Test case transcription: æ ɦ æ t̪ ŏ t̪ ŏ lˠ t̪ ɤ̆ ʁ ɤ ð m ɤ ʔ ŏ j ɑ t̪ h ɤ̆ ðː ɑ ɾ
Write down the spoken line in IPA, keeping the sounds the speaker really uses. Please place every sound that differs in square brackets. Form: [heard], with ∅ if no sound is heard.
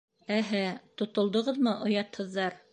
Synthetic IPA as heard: æ ɦ æ t̪ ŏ t̪ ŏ lˠ [d̪] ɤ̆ ʁ ɤ ð m ɤ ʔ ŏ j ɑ t̪ h ɤ̆ ðː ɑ ɾ